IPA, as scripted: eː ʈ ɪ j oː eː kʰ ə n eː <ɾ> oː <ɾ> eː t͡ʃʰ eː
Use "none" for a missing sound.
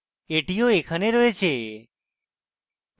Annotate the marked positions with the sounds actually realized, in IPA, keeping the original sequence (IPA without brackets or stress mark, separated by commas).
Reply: ɾ, none